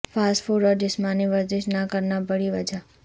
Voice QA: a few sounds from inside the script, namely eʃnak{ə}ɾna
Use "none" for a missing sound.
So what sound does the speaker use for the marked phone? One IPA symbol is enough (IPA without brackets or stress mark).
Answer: ə